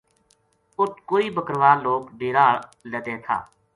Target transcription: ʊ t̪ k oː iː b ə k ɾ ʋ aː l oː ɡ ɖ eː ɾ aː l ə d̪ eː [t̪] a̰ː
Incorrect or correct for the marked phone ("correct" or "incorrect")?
incorrect